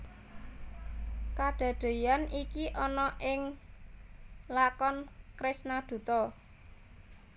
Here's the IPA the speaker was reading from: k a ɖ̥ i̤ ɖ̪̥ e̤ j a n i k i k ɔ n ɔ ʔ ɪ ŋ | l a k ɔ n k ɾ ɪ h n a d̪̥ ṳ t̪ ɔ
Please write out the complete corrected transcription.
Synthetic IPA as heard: k a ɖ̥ a̤ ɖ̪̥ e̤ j a n i k i ʔ ɔ n ɔ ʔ ɪ ŋ | l a k ɔ n k ɾ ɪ s n a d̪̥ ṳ t̪ ɔ